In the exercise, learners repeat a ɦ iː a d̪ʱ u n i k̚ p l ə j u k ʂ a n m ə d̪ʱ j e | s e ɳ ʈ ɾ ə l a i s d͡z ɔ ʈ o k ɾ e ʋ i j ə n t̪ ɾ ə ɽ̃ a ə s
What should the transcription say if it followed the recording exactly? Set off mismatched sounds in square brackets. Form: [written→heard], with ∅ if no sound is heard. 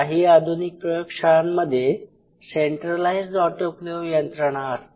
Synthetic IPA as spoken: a ɦ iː a d̪ʱ u n i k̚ p [l→ɾ] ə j [u→o] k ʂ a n m ə d̪ʱ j e | s e ɳ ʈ ɾ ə l a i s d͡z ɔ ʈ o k [ɾ→l] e ʋ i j ə n t̪ ɾ ə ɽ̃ a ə s